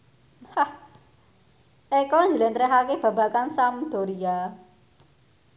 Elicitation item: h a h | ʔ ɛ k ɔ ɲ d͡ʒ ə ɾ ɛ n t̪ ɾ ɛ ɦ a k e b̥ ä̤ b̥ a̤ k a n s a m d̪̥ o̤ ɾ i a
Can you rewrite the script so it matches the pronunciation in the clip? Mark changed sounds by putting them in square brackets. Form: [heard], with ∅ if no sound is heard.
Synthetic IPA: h a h | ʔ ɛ k ɔ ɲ d͡ʒ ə [l] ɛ n t̪ ɾ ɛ ɦ a k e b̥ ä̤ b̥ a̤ k a n s a m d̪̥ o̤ ɾ i a

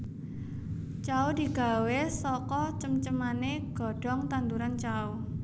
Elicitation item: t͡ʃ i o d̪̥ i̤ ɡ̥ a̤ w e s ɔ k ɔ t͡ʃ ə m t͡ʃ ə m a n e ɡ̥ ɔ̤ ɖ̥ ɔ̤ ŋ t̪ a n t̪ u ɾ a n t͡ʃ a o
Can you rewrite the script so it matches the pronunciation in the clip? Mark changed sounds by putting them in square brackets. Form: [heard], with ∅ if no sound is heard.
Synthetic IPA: t͡ʃ [a] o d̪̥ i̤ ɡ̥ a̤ w e s ɔ k ɔ t͡ʃ ə m t͡ʃ ə m a n e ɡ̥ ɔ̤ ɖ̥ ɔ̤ ŋ t̪ a n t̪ u ɾ a n t͡ʃ a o

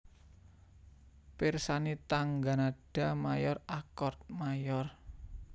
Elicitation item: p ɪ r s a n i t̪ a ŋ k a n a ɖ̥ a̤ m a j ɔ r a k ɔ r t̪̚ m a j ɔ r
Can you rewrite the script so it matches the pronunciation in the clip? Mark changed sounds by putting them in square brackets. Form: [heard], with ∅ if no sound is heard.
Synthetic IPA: p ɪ r s a n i t̪ a ŋ [ɡ] a n a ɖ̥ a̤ m a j ɔ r a k ɔ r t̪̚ m a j ɔ r

